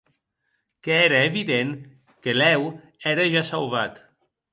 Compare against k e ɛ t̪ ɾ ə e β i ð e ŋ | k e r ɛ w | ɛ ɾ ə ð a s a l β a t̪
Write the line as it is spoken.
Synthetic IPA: k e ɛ ɾ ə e β i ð e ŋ | k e l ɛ w | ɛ ɾ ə ʒ a s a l β a t̪